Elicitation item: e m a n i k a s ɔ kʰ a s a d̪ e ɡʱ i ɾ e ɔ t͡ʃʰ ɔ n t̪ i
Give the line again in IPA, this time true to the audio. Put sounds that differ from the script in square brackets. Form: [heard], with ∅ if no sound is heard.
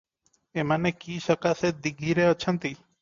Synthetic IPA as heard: e m a n [e] k [i] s ɔ [k] a s [e] d̪ [i] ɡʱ i ɾ e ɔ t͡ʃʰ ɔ n t̪ i